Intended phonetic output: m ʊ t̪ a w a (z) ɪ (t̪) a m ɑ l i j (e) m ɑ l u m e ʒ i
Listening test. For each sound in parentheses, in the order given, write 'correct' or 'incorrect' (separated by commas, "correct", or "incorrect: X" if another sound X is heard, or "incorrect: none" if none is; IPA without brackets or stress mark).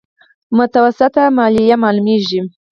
incorrect: s, correct, incorrect: a